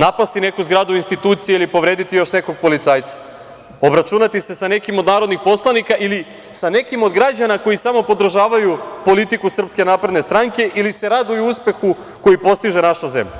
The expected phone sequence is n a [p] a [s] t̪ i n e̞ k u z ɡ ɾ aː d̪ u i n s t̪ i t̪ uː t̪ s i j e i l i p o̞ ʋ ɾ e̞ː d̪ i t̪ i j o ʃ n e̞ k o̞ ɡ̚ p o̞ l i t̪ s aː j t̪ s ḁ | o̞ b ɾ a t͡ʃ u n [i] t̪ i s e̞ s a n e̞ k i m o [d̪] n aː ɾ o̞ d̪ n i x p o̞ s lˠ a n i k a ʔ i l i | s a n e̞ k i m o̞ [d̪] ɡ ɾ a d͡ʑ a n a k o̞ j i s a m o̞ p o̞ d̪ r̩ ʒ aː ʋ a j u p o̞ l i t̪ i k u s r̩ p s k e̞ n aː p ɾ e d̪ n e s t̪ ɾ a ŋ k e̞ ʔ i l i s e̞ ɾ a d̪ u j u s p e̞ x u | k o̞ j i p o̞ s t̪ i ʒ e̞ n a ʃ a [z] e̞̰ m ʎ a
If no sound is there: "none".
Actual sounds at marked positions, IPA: p, s, a, d̪, d̪, z

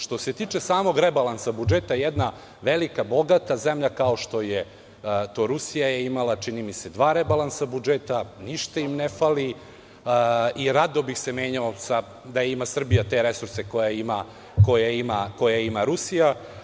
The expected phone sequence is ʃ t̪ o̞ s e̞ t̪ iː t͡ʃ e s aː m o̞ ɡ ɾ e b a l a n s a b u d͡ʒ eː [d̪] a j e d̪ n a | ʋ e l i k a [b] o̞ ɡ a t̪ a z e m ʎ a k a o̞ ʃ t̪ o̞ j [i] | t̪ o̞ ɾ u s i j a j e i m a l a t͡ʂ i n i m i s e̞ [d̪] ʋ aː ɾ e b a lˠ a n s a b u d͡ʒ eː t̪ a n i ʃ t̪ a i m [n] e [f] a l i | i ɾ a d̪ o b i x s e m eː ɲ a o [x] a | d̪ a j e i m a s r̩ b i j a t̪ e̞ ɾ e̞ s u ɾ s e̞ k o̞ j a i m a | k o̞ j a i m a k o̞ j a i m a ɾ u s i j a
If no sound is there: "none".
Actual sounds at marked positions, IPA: t̪, b, e, d̪, n, f, s

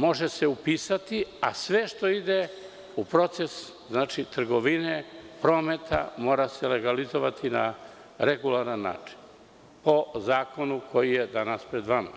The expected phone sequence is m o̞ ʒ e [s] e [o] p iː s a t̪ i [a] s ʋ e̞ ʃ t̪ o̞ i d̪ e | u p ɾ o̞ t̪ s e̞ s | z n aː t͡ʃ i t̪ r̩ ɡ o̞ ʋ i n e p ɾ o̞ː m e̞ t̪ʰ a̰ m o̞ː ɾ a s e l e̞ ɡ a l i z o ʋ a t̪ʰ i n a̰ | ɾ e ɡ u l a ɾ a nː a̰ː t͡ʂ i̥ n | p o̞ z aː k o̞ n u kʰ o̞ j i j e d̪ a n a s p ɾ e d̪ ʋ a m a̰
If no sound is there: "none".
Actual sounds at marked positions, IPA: s, u, a

